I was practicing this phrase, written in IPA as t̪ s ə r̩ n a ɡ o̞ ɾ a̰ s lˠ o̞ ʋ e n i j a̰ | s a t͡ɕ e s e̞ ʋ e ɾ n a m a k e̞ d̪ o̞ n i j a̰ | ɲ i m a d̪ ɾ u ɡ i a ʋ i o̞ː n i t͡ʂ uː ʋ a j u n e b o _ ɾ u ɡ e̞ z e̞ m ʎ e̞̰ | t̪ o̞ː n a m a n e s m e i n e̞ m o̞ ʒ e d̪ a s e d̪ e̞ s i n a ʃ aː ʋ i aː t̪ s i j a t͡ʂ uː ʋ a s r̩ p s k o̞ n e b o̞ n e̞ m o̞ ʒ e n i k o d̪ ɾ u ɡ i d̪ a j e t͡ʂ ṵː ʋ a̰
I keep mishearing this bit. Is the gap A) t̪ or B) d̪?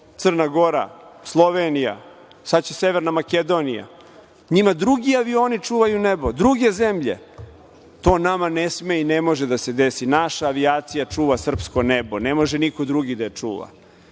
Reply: B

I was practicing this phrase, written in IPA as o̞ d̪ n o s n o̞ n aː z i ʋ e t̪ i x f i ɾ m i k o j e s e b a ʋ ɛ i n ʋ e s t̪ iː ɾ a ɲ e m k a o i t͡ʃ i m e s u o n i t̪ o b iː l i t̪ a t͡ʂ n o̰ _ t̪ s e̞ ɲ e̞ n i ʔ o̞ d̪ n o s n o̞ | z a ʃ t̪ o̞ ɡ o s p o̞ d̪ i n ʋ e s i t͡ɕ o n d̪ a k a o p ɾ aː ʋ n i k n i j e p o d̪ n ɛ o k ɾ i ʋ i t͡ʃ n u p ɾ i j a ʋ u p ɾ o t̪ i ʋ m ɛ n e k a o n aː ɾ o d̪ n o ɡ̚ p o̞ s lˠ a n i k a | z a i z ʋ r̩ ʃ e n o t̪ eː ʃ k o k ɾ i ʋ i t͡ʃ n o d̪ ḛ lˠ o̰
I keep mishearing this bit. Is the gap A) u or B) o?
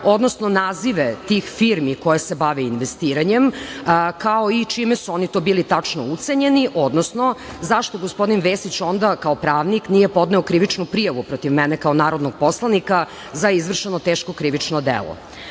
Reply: A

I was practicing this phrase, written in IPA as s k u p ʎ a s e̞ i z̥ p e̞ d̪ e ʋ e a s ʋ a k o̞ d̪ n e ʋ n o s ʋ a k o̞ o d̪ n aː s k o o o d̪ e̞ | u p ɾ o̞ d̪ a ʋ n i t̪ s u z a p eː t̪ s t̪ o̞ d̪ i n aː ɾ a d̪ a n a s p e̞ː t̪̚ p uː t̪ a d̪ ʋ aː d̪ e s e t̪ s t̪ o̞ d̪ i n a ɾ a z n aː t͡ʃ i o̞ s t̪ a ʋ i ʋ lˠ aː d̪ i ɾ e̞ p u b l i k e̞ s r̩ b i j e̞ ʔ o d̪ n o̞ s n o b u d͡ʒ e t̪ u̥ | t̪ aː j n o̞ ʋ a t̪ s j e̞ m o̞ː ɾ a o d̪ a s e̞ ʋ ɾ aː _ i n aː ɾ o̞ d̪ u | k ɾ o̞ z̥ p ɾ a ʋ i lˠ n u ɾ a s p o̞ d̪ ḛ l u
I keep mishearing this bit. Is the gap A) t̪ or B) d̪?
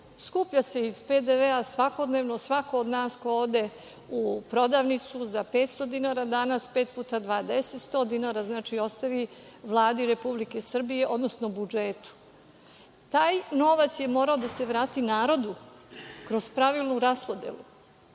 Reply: A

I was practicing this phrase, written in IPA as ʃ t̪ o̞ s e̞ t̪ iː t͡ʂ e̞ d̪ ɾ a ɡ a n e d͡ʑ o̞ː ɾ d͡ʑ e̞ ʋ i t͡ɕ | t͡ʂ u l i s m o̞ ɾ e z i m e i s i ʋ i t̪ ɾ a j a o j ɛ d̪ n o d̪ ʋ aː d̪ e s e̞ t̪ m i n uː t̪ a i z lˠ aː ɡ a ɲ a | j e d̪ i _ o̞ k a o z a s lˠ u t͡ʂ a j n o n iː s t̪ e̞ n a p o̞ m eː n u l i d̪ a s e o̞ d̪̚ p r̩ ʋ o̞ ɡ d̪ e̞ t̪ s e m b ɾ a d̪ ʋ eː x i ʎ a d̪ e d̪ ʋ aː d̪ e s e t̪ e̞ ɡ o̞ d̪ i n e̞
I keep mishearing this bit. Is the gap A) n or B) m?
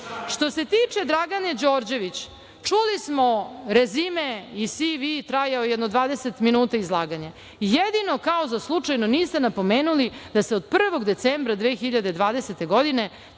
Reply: A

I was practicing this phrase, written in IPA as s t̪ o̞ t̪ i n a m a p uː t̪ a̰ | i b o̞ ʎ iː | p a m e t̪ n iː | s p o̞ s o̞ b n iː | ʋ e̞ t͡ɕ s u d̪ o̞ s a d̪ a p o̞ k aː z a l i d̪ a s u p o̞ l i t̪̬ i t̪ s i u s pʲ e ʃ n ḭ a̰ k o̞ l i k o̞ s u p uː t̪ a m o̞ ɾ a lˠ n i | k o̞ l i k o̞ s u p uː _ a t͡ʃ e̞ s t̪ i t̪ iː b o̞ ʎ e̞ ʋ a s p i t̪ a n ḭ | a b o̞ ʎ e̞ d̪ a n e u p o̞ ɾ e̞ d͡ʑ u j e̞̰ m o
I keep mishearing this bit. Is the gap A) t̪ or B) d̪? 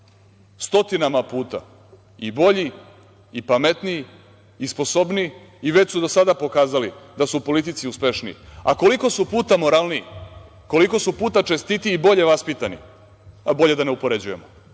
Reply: A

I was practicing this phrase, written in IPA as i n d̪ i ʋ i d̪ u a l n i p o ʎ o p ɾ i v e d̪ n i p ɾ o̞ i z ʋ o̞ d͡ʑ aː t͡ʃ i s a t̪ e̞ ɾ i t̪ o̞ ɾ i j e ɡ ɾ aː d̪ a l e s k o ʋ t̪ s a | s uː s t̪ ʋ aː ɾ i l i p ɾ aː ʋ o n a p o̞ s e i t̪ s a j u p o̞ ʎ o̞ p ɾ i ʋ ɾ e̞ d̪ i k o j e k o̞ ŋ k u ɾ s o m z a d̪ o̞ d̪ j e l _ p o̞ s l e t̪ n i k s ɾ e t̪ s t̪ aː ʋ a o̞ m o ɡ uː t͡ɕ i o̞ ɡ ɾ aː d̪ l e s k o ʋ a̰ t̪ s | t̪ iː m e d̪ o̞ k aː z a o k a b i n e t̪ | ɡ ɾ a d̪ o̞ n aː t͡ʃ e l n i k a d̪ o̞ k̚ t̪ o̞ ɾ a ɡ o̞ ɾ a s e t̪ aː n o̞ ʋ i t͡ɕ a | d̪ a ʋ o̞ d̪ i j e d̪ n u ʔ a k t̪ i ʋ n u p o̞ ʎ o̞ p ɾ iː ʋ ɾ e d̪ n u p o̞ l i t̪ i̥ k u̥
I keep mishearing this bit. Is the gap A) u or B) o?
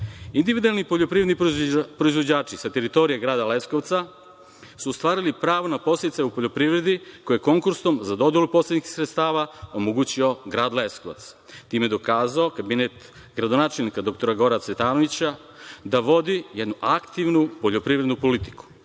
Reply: A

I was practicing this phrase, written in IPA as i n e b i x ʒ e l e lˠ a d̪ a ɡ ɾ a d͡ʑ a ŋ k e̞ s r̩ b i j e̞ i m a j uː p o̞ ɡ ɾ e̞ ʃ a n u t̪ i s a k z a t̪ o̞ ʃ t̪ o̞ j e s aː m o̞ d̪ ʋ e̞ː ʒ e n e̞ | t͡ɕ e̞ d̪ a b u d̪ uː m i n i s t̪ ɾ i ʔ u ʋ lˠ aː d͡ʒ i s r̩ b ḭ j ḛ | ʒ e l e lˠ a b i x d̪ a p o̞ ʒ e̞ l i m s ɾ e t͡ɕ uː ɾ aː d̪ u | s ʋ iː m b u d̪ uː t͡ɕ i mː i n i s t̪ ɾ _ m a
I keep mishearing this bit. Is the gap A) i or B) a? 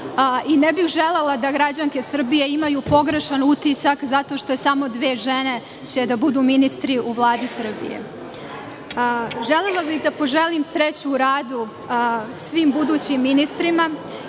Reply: A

